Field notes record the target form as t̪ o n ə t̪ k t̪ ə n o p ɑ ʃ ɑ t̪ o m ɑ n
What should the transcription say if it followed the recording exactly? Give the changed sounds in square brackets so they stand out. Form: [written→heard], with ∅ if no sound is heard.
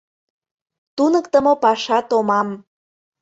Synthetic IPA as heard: t̪ [o→u] n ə [t̪→∅] k t̪ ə [n→m] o p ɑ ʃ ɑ t̪ o m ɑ [n→m]